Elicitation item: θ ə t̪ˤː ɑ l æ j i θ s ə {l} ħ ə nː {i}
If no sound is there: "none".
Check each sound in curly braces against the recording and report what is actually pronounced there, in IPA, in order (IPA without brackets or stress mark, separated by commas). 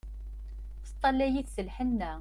l, æ